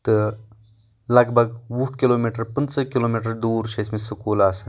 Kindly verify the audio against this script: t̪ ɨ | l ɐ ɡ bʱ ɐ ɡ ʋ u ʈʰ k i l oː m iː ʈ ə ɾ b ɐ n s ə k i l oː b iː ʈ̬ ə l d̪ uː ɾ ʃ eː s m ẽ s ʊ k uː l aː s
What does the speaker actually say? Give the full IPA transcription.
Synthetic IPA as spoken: t̪ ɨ | l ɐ ɡ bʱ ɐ ɡ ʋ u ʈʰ k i l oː m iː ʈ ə ɾ p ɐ n s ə k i l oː m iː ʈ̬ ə ɾ d̪ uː ɾ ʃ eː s m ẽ s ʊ k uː l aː s